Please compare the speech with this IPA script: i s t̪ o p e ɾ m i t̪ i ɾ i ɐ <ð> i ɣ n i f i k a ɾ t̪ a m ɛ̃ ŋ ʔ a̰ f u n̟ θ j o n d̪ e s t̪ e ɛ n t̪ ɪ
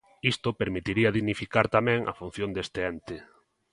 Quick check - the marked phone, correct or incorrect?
correct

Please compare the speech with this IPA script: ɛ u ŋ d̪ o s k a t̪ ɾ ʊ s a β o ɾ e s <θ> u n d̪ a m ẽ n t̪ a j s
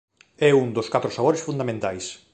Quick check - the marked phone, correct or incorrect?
incorrect: f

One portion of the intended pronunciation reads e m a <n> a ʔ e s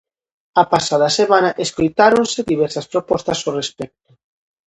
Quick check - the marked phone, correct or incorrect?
correct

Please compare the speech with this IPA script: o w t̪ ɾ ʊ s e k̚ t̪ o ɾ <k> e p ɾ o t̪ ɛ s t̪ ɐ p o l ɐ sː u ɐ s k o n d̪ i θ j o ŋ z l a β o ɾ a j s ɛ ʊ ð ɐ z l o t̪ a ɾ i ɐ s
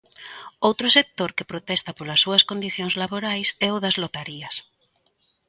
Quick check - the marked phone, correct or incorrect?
correct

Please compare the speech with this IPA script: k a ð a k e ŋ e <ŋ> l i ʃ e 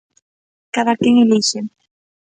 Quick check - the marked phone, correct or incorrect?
incorrect: none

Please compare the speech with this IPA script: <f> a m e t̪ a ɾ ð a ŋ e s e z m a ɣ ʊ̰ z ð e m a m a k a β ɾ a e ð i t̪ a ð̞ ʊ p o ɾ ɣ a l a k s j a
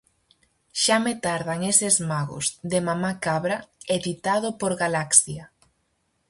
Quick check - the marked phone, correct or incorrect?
incorrect: ʃ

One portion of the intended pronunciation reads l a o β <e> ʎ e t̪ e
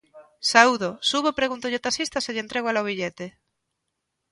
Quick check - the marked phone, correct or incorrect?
incorrect: i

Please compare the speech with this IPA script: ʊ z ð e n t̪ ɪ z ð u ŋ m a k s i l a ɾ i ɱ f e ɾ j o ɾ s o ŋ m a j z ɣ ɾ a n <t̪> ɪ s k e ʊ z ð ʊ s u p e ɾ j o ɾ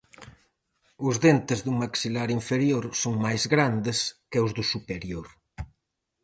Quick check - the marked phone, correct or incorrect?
incorrect: d̪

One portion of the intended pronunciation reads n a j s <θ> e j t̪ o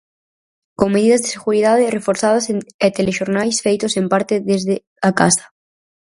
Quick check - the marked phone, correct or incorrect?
incorrect: f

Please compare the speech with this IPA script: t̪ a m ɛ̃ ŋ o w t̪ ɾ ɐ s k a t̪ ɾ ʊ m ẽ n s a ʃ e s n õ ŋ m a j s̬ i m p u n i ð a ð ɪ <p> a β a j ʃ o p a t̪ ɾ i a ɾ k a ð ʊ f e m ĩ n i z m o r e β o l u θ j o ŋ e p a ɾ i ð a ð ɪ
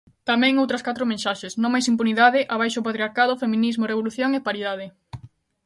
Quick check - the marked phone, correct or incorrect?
incorrect: ʔ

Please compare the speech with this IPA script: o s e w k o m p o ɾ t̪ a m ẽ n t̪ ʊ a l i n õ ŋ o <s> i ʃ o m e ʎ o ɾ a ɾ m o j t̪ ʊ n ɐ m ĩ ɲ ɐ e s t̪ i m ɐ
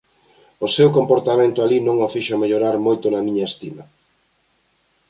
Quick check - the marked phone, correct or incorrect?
incorrect: f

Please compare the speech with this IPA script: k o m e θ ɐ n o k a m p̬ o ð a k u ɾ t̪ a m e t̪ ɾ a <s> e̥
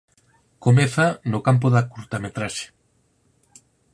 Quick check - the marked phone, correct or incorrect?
incorrect: ʃ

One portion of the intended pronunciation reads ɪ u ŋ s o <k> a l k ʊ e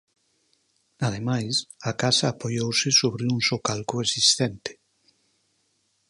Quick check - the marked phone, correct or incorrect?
correct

